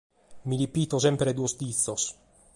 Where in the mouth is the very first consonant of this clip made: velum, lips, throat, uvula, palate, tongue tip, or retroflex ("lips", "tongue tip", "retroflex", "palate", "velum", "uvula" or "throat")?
lips